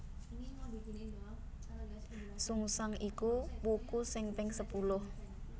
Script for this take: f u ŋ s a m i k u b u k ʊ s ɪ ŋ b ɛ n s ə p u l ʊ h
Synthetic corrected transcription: s u ŋ s a ŋ i k u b u k u s ɪ ŋ p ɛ ŋ s ə p u l ʊ h